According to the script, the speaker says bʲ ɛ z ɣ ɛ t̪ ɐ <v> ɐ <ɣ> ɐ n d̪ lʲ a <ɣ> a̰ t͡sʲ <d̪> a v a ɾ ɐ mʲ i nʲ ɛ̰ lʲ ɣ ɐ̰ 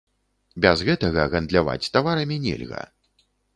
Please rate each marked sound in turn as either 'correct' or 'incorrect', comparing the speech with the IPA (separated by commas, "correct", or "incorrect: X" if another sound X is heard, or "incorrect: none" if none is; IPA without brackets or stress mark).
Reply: incorrect: ɣ, correct, incorrect: v, incorrect: t̪